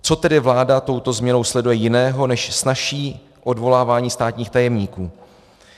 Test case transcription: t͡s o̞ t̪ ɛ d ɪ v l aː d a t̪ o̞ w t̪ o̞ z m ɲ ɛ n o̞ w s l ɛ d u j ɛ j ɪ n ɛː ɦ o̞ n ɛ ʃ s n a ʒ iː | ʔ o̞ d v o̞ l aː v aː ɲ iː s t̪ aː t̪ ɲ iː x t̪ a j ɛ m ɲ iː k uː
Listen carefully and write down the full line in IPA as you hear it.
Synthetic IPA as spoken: t͡s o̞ t̪ ɛ d ɪ v l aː d a t̪ o̞ w t̪ o̞ z m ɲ ɛ n o̞ w s l ɛ d u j ɛ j ɪ n ɛː ɦ o̞ n ɛ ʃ s n a ʃ iː | ʔ o̞ d v o̞ l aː v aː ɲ iː s t̪ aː t̪ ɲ iː x t̪ a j ɛ m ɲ iː k uː

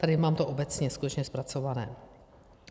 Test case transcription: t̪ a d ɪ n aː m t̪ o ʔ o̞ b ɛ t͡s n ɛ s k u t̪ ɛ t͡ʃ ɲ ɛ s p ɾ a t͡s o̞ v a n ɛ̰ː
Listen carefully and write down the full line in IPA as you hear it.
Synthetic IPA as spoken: t̪ a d ɪ m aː m t̪ o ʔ o̞ b ɛ t͡s ɲ ɛ s k u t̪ ɛ t͡ʃ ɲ ɛ s p ɾ a t͡s o̞ v a n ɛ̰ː

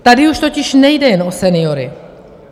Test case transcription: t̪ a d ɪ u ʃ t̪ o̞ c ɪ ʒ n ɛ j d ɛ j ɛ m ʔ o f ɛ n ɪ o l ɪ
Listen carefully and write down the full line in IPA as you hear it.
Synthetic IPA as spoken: t̪ a d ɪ u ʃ t̪ o̞ c ɪ ʃ n ɛ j d ɛ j ɛ n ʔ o s ɛ n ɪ o ɾ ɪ

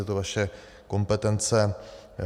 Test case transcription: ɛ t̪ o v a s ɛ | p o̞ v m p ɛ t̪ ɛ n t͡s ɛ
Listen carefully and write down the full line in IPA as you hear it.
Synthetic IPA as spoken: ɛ t̪ o v a ʃ ɛ | k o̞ m p ɛ t̪ ɛ n t͡s ɛ

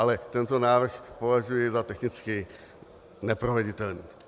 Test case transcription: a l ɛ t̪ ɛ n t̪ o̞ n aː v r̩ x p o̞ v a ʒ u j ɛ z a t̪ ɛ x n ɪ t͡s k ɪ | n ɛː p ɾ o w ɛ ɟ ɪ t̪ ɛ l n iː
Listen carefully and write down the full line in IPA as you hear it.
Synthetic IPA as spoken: a l ɛ t̪ ɛ n t̪ o̞ n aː v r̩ x p o̞ v a ʒ u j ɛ z a t̪ ɛ x n ɪ t͡s k ɪ | n ɛ p ɾ o v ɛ ɟ ɪ t̪ ɛ l n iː

